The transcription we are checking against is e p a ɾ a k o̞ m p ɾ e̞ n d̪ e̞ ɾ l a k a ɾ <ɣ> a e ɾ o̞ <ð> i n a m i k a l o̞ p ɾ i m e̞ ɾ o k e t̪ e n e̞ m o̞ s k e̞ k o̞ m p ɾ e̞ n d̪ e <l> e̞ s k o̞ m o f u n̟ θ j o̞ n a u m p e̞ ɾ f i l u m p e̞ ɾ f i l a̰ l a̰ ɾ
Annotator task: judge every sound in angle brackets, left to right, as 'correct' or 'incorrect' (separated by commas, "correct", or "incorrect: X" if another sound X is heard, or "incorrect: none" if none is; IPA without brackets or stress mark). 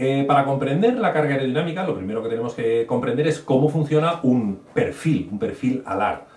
correct, correct, incorrect: ɾ